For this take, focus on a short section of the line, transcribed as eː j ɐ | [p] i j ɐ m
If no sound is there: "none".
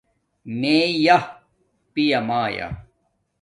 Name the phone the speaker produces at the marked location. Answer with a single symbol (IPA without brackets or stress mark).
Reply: p